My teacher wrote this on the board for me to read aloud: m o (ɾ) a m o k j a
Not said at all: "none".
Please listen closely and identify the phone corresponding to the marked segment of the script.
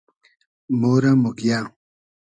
ɾ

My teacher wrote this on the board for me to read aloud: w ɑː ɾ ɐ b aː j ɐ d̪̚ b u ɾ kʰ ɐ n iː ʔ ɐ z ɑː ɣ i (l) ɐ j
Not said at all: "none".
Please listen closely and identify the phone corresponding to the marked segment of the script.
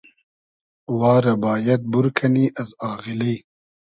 l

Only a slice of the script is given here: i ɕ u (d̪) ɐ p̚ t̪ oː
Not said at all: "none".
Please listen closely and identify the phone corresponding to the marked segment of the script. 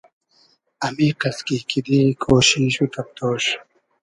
t̪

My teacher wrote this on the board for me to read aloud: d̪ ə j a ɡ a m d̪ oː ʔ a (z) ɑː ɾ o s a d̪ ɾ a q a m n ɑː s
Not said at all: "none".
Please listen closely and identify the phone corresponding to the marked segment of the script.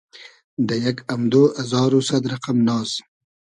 z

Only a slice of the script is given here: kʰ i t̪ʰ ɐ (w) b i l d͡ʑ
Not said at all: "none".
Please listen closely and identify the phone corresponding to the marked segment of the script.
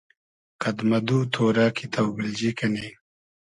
w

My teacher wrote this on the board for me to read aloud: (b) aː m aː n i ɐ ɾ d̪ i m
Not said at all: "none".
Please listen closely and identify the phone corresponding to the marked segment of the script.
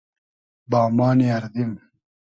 b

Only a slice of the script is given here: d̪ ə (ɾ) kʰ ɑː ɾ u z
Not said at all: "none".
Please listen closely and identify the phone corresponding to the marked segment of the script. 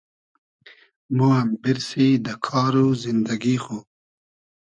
none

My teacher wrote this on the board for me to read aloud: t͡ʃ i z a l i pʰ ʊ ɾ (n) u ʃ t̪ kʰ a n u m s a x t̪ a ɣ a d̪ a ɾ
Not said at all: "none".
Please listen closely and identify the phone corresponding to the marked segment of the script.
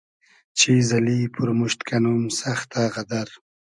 m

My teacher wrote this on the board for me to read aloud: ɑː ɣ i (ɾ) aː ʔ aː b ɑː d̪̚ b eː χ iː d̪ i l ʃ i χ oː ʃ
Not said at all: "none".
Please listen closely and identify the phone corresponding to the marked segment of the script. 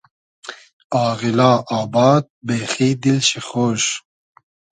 l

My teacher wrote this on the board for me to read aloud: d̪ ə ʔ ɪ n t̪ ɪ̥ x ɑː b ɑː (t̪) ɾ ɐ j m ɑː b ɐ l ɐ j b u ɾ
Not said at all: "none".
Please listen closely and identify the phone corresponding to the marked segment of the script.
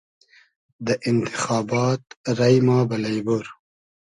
t̪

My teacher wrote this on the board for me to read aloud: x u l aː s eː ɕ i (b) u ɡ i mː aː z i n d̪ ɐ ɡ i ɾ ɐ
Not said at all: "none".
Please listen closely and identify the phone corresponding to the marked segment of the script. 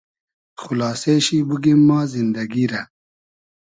b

